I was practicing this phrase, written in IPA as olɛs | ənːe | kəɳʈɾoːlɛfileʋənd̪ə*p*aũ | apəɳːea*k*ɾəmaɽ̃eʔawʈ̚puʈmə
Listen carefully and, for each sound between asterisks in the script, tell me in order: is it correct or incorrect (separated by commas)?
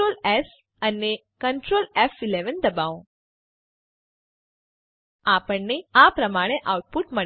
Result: incorrect, incorrect